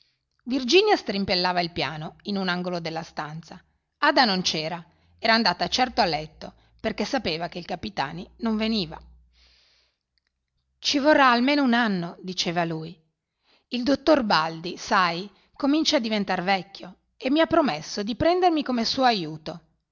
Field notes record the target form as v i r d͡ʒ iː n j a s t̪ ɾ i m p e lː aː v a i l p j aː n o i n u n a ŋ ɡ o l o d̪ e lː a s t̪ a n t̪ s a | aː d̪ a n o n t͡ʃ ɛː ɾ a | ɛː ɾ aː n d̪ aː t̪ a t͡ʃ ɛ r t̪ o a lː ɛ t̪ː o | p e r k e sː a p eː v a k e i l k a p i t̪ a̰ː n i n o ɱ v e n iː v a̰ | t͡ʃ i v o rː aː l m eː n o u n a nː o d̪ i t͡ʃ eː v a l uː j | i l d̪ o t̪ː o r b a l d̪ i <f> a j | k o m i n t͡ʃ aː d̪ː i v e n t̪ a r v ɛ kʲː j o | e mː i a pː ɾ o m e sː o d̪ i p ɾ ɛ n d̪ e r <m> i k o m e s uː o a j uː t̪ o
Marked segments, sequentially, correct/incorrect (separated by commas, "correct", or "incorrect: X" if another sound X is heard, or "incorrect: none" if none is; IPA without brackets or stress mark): incorrect: s, correct